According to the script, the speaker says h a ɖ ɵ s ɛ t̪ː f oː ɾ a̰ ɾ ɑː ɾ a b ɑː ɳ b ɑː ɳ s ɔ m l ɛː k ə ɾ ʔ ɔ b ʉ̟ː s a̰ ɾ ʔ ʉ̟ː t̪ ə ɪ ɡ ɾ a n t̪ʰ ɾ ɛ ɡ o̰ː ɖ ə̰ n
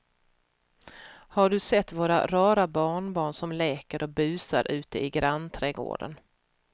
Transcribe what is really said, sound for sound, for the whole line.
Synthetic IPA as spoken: h a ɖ ɵ s ɛ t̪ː v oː ɾ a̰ ɾ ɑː ɾ a b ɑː ɳ b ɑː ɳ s ɔ m l ɛː k ə ɾ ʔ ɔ b ʉ̟ː s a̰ ɾ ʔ ʉ̟ː t̪ ə ɪ ɡ ɾ a n t̪ʰ ɾ ɛ ɡ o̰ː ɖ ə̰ n